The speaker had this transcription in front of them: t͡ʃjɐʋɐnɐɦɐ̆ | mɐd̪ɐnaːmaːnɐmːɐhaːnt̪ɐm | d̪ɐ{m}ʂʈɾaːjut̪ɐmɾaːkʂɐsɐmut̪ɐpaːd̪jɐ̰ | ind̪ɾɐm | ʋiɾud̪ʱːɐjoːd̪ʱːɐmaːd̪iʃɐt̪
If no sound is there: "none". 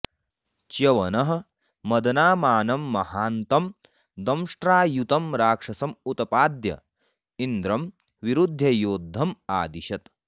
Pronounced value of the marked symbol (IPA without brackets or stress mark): m